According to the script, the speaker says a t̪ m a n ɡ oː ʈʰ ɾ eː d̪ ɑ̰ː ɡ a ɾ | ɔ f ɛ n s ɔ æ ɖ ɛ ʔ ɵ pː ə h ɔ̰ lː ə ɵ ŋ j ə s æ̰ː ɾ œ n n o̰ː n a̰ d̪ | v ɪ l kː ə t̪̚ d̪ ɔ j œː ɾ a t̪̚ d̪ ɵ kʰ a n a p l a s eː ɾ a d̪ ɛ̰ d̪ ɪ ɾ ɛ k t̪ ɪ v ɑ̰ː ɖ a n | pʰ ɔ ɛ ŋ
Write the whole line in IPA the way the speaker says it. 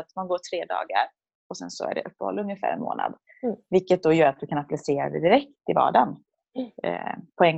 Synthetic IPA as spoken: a t̪ m a n ɡ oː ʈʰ ɾ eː d̪ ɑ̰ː ɡ a ɾ | ɔ s ɛ n s ɔ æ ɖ ɛ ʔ ɵ pː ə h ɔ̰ lː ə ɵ ŋ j ə f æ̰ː ɾ ɛ n m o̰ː n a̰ d̪ | v ɪ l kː ə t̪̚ d̪ ɔ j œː ɾ a t̪̚ d̪ ɵ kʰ a n a p l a s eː ɾ a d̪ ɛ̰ d̪ ɪ ɾ ɛ k t̪ ɪ v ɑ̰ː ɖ a n | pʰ ɔ ɛ ŋ